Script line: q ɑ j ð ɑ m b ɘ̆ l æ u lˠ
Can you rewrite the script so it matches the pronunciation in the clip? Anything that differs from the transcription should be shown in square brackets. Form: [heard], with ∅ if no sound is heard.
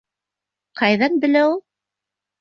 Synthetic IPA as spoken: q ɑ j ð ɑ [n] b ɘ̆ l æ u lˠ